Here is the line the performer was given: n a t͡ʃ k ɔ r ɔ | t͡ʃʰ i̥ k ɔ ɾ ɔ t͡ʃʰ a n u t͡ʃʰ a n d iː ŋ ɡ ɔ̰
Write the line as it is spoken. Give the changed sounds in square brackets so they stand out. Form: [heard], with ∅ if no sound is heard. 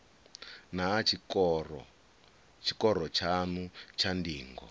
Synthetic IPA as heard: n a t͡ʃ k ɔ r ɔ | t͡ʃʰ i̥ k ɔ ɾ ɔ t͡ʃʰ a n u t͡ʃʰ a n d iː ŋ ɡ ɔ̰